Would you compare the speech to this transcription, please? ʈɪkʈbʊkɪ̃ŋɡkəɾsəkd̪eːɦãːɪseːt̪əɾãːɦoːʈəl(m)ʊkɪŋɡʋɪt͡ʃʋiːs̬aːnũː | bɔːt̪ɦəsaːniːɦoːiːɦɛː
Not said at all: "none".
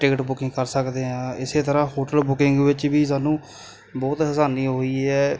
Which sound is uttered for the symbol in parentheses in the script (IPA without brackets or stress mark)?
b